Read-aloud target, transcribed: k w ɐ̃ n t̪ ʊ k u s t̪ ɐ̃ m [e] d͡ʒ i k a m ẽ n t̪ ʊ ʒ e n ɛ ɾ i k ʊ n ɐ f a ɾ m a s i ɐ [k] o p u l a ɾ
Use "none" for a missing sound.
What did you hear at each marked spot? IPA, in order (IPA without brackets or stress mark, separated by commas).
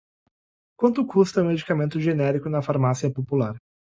e, p